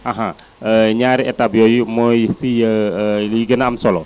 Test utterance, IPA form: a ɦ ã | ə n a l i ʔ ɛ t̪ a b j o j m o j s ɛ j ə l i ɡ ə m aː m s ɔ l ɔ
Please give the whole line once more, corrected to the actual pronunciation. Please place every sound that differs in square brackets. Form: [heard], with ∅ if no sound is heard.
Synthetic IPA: a ɦ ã | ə [ɲ] a [ɾ] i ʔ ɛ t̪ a b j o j m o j s [i] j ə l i ɡ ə [n] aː m s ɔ l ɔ